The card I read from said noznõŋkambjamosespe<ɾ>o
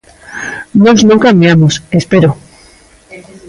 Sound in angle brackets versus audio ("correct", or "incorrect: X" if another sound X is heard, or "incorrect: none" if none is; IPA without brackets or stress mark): correct